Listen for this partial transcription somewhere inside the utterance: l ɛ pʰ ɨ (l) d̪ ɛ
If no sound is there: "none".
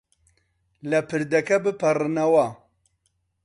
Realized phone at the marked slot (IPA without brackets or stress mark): ɾ